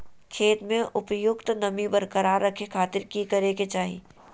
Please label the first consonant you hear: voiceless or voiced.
voiceless